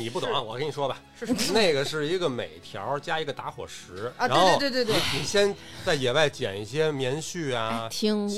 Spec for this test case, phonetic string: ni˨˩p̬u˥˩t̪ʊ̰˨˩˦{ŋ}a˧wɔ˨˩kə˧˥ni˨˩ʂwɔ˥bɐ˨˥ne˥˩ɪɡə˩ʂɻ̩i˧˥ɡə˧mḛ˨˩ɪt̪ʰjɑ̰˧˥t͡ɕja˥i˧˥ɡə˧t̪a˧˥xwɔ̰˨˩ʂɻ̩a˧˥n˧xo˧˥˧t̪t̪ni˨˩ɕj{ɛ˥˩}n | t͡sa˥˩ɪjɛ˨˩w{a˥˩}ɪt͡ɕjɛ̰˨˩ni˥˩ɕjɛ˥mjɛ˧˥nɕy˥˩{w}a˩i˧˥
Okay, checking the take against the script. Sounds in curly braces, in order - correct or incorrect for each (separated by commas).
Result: correct, incorrect, correct, incorrect